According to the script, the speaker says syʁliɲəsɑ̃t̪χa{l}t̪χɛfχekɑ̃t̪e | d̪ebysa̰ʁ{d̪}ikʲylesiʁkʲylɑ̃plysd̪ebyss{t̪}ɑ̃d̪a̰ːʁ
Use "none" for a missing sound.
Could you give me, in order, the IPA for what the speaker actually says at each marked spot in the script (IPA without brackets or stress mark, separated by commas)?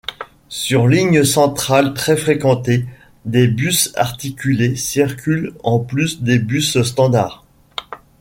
l, t̪, t̪